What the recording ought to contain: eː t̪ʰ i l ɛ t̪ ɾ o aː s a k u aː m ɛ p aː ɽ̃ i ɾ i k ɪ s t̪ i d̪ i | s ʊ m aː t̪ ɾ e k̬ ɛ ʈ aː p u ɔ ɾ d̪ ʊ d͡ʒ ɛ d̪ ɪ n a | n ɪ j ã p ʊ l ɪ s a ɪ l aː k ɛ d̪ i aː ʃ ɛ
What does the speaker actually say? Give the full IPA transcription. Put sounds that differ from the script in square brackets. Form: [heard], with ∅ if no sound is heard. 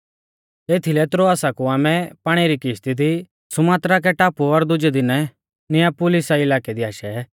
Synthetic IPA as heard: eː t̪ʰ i l ɛ t̪ ɾ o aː s a k u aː m ɛ p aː ɽ̃ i ɾ i k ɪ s t̪ i d̪ i | s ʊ m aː t̪ ɾ [a] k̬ ɛ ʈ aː p u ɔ ɾ d̪ ʊ d͡ʒ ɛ d̪ ɪ n [ɛ] | n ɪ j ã p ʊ l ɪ s a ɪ l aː k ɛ d̪ i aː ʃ ɛ

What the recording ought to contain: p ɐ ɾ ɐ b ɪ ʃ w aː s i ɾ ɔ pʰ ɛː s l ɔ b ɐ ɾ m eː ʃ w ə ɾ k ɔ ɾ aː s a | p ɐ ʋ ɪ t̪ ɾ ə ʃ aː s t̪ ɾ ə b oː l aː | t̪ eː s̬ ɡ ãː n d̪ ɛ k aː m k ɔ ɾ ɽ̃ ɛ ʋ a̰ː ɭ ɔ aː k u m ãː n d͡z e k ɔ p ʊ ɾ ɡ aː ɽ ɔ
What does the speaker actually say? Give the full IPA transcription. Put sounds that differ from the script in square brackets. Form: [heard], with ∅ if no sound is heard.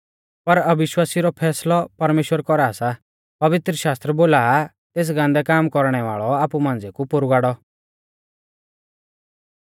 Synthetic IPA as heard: p ɐ ɾ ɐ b ɪ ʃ w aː s i ɾ ɔ pʰ ɛː s l ɔ [p] ɐ ɾ m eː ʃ w ə ɾ k ɔ ɾ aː s a | p ɐ ʋ ɪ t̪ ɾ ə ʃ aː s t̪ ɾ ə b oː l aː | t̪ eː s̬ ɡ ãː n d̪ ɛ k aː m k ɔ ɾ ɽ̃ ɛ ʋ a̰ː ɭ ɔ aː [p] u m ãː n d͡z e k [u] p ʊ ɾ ɡ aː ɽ ɔ

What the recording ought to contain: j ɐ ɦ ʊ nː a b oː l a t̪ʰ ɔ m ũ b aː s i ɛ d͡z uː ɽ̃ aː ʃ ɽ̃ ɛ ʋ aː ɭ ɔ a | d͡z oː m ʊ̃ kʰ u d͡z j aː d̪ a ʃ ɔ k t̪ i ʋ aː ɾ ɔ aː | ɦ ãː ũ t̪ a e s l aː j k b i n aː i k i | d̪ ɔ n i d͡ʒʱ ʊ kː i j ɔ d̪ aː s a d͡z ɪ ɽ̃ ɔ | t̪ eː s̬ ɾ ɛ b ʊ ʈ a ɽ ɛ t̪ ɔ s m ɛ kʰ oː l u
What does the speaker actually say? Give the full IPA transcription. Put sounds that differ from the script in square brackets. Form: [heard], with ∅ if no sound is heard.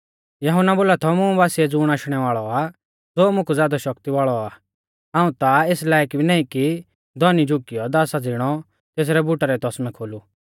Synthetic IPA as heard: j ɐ ɦ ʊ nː a b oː l a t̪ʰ ɔ m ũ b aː s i ɛ d͡z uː ɽ̃ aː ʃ ɽ̃ ɛ ʋ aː ɭ ɔ a | d͡z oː m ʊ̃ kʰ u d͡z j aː d̪ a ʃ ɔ k t̪ i ʋ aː [ɭ] ɔ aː | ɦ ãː ũ t̪ a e s l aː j k b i n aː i k i | d̪ ɔ n i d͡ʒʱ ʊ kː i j ɔ d̪ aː s a d͡z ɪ ɽ̃ ɔ | t̪ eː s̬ ɾ ɛ b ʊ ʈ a [ɾ] ɛ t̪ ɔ s m ɛ kʰ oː l u

